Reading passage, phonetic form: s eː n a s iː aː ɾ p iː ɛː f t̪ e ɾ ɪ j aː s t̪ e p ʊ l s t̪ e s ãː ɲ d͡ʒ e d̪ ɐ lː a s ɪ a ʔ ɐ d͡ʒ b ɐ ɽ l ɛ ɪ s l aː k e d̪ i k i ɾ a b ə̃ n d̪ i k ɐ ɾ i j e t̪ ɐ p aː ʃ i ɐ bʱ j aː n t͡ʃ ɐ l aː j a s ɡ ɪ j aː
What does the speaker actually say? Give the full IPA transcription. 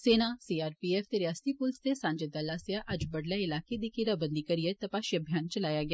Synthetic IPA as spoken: s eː n a s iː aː ɾ p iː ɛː f t̪ e ɾ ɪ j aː s t̪ i p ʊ l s t̪ e s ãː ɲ d͡ʒ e d̪ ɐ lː a s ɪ a ʔ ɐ d͡ʒ b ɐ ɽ l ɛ ɪ l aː k e d̪ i k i ɾ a b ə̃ n d̪ i k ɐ ɾ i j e t̪ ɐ p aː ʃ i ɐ bʱ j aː n t͡ʃ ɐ l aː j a ɡ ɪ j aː